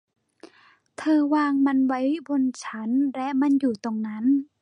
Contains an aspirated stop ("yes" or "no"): yes